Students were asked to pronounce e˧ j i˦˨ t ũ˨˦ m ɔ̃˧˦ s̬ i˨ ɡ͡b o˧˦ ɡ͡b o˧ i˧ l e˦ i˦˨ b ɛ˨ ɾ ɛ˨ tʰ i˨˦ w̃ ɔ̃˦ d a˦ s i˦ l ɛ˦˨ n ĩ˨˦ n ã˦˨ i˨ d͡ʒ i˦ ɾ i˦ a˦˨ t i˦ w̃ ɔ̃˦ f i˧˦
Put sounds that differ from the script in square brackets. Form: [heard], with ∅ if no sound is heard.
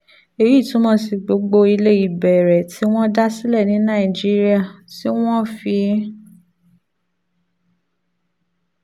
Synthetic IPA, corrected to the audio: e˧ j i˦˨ t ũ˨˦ m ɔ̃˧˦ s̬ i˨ ɡ͡b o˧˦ ɡ͡b o˧ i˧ l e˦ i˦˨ b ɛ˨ ɾ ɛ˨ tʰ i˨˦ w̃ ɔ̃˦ d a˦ s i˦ l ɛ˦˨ n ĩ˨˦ n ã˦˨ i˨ d͡ʒ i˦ ɾ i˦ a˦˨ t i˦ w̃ ɔ̃˦ f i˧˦